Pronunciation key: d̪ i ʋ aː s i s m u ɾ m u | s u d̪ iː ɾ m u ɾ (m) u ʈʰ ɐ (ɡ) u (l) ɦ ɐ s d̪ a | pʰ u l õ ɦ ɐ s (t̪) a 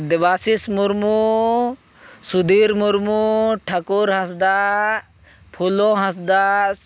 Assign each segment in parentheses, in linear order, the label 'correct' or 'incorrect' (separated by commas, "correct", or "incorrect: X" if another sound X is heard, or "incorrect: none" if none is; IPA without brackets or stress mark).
correct, incorrect: k, incorrect: ɾ, incorrect: d̪